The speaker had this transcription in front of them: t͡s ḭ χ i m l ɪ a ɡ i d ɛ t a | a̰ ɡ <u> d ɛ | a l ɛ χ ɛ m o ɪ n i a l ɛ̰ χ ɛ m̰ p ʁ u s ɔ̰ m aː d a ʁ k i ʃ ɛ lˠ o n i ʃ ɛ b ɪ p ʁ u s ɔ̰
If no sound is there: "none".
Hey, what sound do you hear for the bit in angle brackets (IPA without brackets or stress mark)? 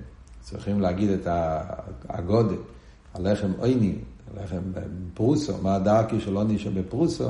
ɔ